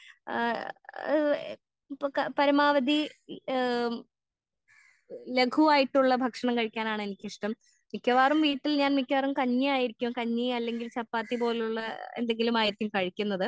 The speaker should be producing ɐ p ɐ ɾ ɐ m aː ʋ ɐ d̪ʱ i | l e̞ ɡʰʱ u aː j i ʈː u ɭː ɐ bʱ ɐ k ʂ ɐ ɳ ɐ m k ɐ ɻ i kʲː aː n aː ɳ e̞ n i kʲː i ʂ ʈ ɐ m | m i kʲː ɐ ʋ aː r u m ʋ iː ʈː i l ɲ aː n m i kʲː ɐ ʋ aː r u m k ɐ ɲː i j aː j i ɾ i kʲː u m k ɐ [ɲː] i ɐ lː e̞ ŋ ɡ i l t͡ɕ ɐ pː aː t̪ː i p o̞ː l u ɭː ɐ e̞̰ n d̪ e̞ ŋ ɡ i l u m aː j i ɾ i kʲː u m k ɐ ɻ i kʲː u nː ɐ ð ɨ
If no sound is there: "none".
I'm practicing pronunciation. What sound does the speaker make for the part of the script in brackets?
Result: ɲː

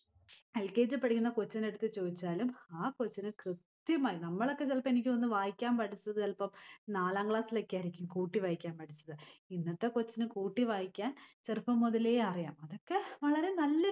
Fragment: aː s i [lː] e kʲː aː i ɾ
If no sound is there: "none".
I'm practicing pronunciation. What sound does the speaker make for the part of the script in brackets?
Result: l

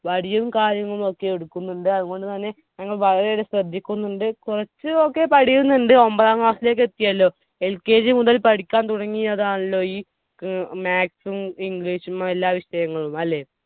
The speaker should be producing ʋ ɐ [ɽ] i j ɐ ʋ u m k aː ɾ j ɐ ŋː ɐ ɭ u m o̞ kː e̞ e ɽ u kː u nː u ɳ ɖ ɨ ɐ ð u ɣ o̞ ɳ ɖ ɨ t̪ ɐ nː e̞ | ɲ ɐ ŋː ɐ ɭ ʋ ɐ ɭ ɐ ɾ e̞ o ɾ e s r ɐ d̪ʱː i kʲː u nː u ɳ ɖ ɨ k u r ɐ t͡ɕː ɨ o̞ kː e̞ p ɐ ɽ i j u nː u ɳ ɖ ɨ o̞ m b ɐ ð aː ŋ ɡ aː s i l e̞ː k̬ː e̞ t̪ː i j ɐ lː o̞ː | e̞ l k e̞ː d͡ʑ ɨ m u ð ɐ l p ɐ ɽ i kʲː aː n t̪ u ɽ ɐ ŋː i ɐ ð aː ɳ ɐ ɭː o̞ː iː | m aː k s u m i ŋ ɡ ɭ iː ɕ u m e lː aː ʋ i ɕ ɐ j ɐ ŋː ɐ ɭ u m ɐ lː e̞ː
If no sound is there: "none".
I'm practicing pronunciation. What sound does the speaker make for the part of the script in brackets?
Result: ɽ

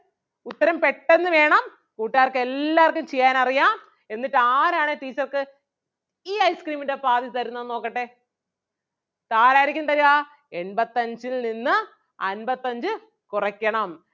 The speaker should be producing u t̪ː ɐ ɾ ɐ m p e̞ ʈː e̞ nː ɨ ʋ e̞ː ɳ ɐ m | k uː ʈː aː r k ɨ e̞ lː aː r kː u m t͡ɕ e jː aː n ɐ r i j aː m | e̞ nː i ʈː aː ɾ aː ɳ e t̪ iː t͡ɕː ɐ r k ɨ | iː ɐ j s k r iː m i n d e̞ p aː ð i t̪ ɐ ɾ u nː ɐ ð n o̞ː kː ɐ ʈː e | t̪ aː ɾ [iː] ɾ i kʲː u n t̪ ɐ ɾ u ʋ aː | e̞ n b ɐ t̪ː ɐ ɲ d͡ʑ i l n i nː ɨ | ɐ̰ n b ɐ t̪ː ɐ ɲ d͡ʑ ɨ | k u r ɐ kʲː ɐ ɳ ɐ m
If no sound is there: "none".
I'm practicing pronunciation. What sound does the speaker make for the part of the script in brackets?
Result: aː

